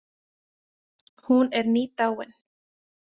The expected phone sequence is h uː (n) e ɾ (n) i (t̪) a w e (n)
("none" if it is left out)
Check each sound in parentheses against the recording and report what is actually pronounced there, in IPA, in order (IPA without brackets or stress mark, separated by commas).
n, n, t̪, n